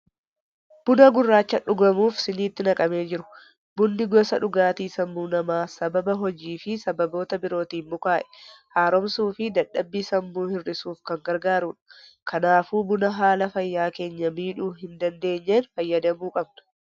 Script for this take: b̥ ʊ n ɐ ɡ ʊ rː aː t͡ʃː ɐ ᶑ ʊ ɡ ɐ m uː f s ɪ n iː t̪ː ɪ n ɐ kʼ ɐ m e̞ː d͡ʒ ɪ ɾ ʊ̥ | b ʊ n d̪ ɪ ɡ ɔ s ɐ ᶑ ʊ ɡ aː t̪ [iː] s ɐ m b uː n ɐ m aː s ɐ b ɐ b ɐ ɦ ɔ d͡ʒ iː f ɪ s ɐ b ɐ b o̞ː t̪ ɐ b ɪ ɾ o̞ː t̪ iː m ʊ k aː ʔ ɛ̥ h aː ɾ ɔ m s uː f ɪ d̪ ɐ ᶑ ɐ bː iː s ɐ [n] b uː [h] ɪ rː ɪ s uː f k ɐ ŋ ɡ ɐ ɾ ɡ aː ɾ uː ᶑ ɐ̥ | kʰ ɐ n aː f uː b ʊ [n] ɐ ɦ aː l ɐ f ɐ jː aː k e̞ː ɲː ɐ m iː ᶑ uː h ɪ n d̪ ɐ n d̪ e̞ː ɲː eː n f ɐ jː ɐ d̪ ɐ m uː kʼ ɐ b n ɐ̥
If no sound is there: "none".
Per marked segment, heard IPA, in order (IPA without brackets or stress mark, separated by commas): iː, m, h, n